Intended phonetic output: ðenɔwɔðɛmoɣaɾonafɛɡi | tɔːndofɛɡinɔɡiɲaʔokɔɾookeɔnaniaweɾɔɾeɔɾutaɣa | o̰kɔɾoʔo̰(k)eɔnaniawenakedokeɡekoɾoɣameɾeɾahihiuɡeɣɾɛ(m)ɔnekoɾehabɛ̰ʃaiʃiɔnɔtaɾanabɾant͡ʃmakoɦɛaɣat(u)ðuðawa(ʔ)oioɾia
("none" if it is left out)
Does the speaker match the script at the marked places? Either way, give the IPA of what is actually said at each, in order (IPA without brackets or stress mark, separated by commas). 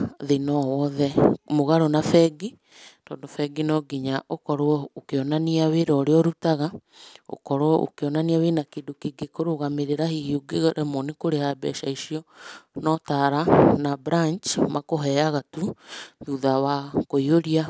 k, m, u, k